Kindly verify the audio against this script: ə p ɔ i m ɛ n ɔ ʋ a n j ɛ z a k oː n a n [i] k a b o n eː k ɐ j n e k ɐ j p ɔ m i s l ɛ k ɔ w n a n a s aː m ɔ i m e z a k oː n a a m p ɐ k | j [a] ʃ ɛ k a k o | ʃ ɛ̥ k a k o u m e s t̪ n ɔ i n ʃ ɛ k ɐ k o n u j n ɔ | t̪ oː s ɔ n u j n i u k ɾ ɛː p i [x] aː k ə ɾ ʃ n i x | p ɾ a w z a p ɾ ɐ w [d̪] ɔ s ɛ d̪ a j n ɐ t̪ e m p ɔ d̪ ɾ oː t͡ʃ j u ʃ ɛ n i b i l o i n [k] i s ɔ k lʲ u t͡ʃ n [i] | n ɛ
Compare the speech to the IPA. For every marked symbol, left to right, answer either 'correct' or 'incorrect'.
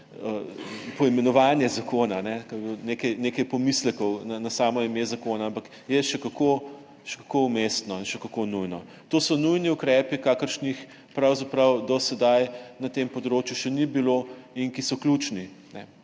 incorrect, incorrect, incorrect, correct, correct, correct

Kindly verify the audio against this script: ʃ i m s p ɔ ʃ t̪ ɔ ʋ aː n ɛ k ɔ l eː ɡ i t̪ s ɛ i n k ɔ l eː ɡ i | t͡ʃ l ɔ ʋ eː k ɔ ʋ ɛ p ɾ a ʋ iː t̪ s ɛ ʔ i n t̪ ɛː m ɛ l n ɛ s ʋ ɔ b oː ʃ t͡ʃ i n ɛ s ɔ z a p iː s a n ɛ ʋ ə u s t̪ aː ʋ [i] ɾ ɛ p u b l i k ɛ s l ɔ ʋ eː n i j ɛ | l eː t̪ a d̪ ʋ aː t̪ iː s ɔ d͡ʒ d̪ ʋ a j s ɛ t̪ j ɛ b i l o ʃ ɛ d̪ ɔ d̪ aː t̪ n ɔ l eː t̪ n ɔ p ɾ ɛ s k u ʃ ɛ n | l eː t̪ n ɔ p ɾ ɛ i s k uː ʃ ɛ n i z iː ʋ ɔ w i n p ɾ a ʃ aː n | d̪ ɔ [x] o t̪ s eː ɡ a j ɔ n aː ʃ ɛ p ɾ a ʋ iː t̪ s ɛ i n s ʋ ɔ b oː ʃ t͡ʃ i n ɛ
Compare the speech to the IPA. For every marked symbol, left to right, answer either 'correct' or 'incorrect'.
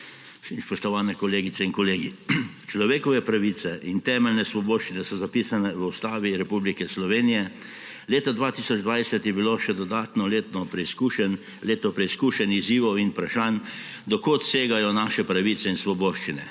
correct, incorrect

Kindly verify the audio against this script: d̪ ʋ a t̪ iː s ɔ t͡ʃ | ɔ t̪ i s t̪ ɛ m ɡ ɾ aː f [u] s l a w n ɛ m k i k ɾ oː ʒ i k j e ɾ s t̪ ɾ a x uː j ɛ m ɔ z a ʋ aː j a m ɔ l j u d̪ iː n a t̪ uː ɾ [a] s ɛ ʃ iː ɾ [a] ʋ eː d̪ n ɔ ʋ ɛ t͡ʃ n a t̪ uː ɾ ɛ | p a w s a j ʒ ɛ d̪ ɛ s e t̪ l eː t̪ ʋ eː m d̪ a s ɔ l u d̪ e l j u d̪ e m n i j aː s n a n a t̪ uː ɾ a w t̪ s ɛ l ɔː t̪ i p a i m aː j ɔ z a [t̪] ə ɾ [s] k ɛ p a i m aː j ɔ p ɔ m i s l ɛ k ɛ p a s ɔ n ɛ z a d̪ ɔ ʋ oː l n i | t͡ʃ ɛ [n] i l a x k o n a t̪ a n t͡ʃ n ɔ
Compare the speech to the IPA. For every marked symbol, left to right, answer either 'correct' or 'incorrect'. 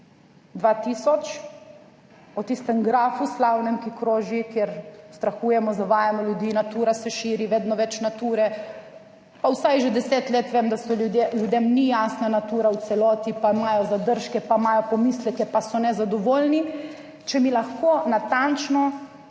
correct, correct, incorrect, incorrect, incorrect, incorrect

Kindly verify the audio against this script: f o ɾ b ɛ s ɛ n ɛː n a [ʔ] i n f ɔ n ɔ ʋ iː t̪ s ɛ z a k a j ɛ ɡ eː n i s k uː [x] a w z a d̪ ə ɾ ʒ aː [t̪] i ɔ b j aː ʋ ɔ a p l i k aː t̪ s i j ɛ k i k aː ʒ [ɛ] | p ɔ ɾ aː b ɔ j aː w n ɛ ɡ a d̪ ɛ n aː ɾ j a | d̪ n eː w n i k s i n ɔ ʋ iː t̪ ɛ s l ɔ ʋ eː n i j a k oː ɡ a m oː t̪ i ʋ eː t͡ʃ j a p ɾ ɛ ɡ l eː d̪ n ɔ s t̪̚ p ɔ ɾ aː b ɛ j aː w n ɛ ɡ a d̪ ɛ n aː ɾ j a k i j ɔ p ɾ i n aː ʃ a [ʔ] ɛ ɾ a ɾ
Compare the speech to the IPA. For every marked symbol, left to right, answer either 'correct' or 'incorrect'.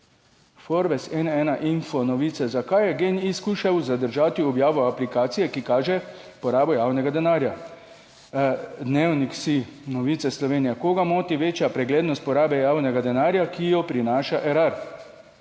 correct, incorrect, correct, correct, correct

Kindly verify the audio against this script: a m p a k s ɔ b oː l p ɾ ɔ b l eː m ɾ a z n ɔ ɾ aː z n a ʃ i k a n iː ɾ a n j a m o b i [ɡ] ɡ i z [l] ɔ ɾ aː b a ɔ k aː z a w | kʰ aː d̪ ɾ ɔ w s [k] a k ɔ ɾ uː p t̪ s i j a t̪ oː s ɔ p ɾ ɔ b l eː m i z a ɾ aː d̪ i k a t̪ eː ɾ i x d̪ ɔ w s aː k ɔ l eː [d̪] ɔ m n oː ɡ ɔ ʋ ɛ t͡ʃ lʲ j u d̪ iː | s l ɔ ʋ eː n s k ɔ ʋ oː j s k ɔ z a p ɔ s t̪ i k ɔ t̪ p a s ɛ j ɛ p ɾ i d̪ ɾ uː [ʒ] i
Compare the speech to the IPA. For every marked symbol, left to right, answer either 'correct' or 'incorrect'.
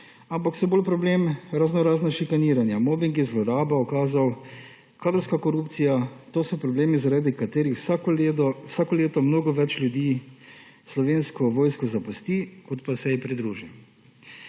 incorrect, correct, correct, incorrect, correct

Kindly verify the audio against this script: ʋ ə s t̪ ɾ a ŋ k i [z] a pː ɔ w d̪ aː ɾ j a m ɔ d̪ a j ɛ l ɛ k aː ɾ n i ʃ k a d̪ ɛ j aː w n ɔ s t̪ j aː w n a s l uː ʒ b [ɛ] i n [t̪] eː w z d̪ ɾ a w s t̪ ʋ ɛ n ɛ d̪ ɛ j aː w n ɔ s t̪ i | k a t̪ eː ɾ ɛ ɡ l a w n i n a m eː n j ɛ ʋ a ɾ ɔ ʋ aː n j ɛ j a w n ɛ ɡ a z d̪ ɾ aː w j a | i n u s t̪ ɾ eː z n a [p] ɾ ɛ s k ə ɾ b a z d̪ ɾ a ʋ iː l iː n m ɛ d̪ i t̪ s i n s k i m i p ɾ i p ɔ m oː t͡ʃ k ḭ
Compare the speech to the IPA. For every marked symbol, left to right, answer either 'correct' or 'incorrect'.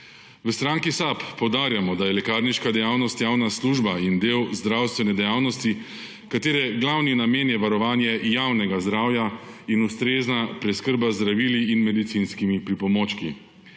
incorrect, incorrect, incorrect, correct

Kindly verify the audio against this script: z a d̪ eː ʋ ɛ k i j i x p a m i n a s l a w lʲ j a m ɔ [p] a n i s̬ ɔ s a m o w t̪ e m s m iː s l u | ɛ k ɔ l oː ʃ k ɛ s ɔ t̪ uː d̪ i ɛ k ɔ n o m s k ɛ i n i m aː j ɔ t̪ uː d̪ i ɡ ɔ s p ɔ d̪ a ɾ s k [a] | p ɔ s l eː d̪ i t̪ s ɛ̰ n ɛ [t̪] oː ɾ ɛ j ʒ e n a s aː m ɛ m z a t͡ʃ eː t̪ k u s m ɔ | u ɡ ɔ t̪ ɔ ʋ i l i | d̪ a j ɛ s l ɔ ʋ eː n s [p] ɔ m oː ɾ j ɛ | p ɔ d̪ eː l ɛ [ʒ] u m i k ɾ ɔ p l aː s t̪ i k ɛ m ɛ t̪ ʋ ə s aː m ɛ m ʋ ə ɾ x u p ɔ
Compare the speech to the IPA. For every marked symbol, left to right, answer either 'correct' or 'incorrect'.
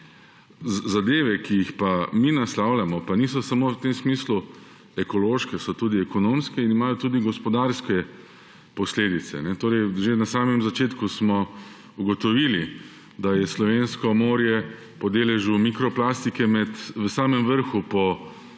correct, incorrect, correct, incorrect, correct

